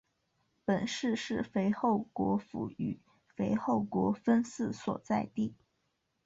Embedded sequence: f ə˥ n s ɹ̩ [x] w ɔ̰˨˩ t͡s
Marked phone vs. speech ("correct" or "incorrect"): incorrect